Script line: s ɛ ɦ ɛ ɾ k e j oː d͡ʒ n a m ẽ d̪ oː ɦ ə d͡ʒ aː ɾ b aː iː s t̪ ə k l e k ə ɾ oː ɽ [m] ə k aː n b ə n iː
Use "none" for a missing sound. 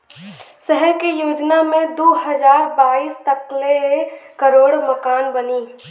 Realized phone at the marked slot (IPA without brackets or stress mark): m